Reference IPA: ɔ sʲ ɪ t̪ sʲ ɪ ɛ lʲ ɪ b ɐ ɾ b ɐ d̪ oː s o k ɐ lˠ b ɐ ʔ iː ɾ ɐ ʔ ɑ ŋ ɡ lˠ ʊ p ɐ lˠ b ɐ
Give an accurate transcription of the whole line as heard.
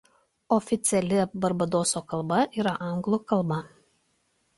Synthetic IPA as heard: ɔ fʲ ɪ t̪ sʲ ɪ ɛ lʲ ɪ b ɐ ɾ b ɐ d̪ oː s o k ɐ lˠ b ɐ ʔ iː ɾ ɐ ʔ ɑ ŋ ɡ lˠ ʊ k ɐ lˠ b ɐ